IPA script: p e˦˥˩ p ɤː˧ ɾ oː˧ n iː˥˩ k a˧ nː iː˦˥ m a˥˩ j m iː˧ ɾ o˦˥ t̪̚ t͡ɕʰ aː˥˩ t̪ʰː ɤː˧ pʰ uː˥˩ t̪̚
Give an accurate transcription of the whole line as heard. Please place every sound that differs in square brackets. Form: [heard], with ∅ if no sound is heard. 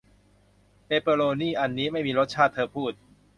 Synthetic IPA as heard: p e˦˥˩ p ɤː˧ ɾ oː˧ n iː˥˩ [ʔ] a˧ nː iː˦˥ m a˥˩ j m iː˧ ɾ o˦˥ t̪̚ t͡ɕʰ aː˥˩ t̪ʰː ɤː˧ pʰ uː˥˩ t̪̚